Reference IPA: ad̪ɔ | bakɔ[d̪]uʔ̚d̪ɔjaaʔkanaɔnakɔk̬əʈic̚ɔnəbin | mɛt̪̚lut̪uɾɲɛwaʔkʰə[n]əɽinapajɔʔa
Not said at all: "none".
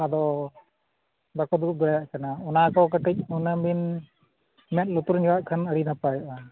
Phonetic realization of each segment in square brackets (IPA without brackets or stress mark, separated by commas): d̪, n